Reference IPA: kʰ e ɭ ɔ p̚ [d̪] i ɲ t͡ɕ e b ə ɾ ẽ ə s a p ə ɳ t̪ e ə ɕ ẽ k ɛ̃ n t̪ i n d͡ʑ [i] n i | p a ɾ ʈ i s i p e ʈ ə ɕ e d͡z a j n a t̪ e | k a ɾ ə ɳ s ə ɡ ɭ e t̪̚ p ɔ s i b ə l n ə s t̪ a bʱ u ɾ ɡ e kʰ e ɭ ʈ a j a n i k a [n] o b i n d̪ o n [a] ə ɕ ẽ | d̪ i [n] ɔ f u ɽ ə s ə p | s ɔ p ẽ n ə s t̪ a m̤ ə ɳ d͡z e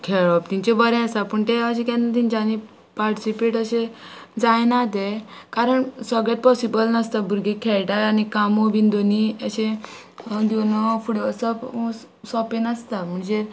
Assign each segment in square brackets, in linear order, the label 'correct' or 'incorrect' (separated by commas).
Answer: incorrect, incorrect, incorrect, incorrect, correct